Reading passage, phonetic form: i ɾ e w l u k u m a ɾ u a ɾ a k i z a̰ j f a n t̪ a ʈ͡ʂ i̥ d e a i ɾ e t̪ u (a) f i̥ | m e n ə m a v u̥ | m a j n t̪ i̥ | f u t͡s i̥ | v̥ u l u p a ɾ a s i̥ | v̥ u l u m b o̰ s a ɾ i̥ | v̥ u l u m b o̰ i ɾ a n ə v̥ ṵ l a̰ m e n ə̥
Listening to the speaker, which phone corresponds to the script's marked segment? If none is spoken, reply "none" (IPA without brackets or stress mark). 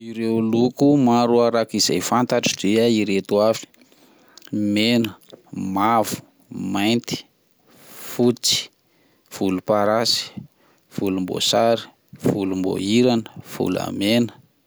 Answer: a